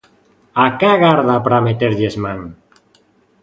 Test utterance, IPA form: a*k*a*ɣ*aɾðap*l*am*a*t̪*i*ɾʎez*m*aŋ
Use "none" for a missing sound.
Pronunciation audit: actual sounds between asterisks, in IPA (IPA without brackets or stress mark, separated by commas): k, ɣ, ɾ, e, e, m